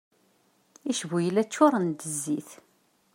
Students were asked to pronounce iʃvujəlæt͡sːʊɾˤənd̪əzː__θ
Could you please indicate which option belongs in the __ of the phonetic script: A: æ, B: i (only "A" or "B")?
B